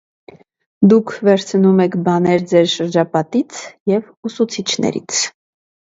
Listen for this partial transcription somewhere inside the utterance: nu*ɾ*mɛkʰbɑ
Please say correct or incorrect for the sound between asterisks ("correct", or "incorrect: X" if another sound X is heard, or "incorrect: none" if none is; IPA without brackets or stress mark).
incorrect: none